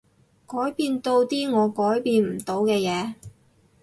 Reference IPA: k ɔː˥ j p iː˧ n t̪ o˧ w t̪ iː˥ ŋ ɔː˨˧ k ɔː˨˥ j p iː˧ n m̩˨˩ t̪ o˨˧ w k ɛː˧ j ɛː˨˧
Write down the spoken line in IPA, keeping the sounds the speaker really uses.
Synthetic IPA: k ɔː˨˥ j p iː˧ n t̪ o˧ w t̪ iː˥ ŋ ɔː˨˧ k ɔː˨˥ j p iː˧ n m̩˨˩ t̪ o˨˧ w k ɛː˧ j ɛː˨˧